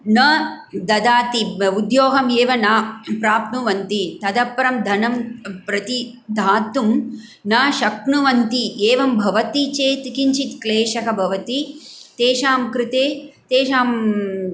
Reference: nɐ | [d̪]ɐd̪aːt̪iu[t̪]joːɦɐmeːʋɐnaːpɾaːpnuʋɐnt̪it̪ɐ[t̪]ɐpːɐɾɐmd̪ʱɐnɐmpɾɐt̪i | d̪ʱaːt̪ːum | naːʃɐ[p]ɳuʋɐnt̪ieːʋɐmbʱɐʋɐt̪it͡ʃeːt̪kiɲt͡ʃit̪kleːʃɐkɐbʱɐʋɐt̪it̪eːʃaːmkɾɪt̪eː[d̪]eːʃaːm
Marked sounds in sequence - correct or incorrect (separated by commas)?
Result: correct, incorrect, incorrect, incorrect, incorrect